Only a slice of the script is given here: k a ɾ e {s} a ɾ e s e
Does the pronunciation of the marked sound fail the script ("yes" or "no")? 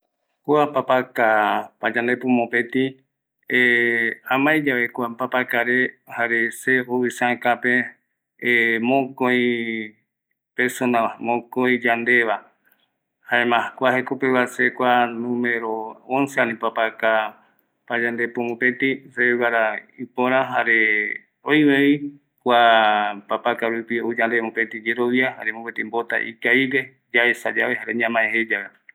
yes